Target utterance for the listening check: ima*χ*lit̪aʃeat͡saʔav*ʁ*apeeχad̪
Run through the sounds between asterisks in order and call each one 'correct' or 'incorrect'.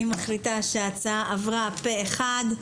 correct, correct

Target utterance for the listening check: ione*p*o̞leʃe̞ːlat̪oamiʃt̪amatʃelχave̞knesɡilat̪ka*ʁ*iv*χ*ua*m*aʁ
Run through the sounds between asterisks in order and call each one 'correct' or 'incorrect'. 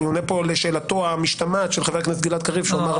correct, correct, incorrect, correct

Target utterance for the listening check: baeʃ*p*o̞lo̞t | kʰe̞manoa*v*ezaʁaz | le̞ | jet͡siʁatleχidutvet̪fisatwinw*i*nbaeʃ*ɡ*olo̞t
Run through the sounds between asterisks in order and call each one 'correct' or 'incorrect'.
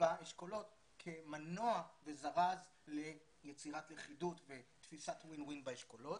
incorrect, correct, correct, incorrect

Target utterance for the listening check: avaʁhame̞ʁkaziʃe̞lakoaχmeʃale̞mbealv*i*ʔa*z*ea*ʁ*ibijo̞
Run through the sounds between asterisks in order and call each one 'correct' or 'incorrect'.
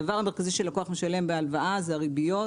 incorrect, correct, correct

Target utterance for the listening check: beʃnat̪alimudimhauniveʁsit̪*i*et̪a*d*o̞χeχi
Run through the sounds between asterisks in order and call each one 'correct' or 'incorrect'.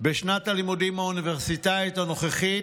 incorrect, incorrect

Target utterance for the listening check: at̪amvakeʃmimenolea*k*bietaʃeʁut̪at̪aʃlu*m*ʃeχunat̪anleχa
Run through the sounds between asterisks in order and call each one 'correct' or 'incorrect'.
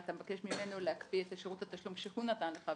correct, correct

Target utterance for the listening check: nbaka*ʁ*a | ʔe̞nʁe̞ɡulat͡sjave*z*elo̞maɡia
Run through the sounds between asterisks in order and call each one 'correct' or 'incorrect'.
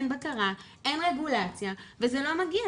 correct, correct

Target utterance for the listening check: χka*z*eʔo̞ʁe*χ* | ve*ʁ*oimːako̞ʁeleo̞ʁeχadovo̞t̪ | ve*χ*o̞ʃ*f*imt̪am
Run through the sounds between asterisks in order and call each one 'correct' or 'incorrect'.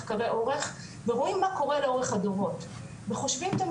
incorrect, correct, correct, correct, incorrect

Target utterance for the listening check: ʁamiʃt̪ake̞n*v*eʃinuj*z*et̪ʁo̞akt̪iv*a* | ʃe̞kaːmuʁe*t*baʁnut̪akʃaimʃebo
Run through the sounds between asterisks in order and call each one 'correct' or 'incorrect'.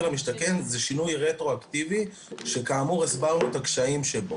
incorrect, incorrect, incorrect, incorrect

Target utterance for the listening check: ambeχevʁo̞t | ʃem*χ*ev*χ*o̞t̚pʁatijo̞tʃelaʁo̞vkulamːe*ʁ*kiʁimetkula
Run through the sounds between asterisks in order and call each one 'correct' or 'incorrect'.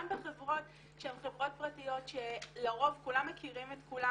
correct, incorrect, incorrect

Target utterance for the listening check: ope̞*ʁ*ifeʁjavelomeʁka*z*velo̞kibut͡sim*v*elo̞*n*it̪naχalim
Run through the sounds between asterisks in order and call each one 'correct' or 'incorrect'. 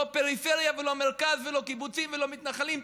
correct, correct, correct, incorrect

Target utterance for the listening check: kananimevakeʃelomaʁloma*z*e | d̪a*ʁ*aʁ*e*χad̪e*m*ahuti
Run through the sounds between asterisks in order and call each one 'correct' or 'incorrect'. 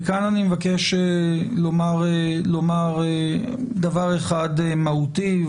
incorrect, incorrect, correct, correct

